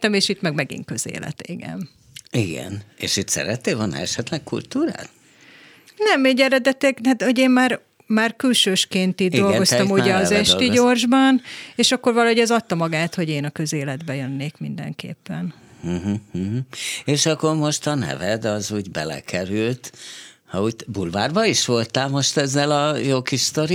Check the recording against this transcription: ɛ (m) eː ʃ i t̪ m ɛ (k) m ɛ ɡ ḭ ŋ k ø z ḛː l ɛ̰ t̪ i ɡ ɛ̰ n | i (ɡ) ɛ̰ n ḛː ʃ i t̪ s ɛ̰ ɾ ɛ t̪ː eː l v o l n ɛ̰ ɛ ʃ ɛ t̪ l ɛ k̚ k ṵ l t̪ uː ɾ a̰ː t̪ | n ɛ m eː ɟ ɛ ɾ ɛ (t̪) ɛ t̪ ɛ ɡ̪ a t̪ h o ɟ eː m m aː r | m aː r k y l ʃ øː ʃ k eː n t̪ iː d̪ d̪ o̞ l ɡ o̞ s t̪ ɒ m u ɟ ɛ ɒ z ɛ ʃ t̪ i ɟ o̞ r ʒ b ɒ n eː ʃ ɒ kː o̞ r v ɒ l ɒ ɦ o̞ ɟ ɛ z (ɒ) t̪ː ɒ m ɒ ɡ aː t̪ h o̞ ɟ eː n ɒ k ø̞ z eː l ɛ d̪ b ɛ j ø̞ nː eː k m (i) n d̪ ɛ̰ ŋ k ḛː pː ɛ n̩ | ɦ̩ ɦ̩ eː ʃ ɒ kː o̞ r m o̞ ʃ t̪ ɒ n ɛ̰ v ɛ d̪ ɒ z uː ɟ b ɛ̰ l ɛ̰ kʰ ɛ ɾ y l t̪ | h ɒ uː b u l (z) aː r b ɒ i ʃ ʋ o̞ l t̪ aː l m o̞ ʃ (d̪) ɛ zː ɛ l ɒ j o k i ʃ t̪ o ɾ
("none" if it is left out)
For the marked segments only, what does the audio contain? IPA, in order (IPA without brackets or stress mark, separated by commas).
m, ɡ, ɡ, d̪, ɒ, i, v, t̪